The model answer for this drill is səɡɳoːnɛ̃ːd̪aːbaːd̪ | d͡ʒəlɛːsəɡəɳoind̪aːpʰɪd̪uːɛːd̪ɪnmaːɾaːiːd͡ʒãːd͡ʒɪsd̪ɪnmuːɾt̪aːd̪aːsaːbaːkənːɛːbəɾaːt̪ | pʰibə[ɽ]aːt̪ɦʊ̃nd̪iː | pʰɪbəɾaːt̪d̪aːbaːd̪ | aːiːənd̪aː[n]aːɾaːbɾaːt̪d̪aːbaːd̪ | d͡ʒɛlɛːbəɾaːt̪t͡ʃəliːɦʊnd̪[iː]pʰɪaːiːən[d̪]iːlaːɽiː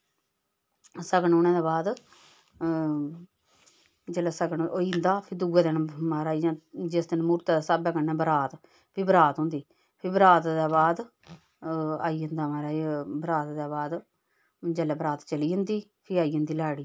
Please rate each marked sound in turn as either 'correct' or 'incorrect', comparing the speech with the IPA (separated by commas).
incorrect, incorrect, correct, correct